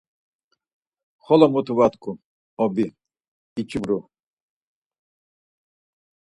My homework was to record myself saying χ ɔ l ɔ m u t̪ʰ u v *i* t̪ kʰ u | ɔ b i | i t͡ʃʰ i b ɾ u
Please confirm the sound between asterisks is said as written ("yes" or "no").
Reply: no